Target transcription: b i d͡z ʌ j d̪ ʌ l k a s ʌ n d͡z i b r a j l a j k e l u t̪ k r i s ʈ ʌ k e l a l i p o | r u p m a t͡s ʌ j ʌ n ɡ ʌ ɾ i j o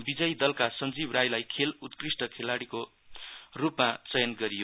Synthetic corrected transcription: b i d͡z ʌ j d̪ ʌ l k a s ʌ n d͡z i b r a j l a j kʰ e l u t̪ k r i s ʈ ʌ kʰ e l a ɽ i k o | r u p m a t͡s ʌ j ʌ n ɡ ʌ ɾ i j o

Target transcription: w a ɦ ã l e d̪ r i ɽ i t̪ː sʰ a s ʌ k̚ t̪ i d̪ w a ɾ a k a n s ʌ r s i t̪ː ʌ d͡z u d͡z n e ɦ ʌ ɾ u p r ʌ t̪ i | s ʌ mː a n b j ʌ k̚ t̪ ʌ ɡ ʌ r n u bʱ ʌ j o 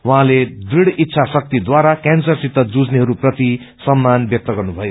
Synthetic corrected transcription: w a ɦ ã l e d̪ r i ɽ i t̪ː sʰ a s ʌ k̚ t̪ i d̪ w a ɾ a k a n s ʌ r s i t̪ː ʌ d͡z u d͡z n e ɦ ʌ ɾ u p r ʌ t̪ i | s ʌ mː a n b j ʌ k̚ t̪ ʌ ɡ ʌ r n u bʱ ʌ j o

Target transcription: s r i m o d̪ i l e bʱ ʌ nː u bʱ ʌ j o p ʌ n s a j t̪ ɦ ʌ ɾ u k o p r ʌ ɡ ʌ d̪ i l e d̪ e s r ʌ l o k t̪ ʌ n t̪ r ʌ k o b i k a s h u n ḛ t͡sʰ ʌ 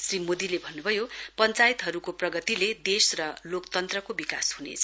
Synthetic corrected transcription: s r i m o d̪ i l e bʱ ʌ nː u bʱ ʌ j o p ʌ n t͡s a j t̪ ɦ ʌ ɾ u k o p r ʌ ɡ ʌ t̪ i l e d̪ e s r ʌ l o k t̪ ʌ n t̪ r ʌ k o b i k a s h u n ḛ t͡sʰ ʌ

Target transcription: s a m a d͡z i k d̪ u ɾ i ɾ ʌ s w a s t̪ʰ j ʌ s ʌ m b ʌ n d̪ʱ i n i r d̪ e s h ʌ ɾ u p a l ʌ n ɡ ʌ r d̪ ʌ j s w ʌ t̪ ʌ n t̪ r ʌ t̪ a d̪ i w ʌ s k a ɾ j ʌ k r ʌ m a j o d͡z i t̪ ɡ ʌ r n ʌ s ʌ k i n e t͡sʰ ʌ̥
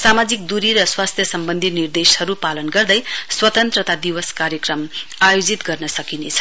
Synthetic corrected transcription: s a m a d͡z i k d̪ u ɾ i ɾ ʌ s w a s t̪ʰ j ʌ s ʌ m b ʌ n d̪ʱ i n i r d̪ e s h ʌ ɾ u p a l ʌ n ɡ ʌ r d̪ ʌ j s w ʌ t̪ ʌ n t̪ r ʌ t̪ a d̪ i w ʌ s k a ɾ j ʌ k r ʌ m a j o d͡z i t̪ ɡ ʌ r n ʌ s ʌ k i n e t͡sʰ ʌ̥

